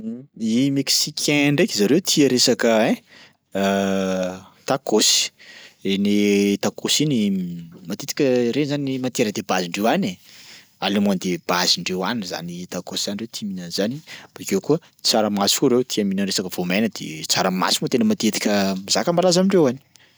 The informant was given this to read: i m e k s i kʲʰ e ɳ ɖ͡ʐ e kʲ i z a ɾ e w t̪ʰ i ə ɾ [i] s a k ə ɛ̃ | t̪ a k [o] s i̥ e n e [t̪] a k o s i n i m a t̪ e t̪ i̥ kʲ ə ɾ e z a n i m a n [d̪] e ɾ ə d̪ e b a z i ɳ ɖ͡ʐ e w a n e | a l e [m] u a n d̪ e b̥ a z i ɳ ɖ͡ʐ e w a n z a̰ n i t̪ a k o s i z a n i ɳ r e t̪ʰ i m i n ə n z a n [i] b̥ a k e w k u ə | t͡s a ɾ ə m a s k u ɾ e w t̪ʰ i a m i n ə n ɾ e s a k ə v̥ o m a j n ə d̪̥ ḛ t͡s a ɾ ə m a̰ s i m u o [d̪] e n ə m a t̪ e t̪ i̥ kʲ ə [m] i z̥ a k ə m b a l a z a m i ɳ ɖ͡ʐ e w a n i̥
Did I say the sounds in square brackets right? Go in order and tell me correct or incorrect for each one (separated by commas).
incorrect, correct, correct, incorrect, correct, correct, incorrect, correct